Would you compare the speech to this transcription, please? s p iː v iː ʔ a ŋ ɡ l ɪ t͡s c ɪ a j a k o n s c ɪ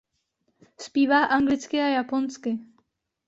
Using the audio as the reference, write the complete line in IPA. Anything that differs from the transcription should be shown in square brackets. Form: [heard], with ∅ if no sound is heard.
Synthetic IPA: s p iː v [aː] ʔ a ŋ ɡ l ɪ t͡s [k] ɪ a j a [p] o n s [k] ɪ